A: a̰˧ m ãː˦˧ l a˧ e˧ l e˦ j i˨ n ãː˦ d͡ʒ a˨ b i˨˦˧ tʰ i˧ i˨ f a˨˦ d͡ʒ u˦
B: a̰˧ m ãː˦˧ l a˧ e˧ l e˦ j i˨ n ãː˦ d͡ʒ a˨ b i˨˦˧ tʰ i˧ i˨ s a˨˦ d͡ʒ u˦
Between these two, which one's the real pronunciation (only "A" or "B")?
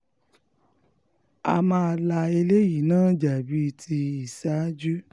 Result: B